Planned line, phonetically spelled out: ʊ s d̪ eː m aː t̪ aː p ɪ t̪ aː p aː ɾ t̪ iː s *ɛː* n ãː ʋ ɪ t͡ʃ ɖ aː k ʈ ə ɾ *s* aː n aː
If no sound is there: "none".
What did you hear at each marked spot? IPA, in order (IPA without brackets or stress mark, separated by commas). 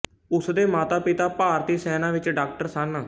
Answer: ɛː, s